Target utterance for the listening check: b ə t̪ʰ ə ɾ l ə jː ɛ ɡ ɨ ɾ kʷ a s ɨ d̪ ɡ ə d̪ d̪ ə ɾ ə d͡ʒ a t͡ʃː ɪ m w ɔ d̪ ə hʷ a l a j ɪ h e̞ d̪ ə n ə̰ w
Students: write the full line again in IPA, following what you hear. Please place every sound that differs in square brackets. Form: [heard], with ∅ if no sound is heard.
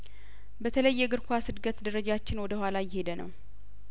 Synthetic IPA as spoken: b ə t̪ʰ ə [∅] l ə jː ɛ ɡ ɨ ɾ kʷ a s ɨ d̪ ɡ ə [t̪] d̪ ə ɾ ə d͡ʒ a t͡ʃː ɪ [n] w ɔ d̪ ə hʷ a l a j ɪ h e̞ d̪ ə n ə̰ w